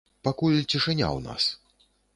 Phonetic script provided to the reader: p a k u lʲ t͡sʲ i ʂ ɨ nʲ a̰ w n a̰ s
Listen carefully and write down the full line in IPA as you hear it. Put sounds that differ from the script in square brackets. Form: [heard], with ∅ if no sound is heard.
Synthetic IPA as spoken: p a k u lʲ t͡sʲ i ʂ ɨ nʲ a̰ w n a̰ s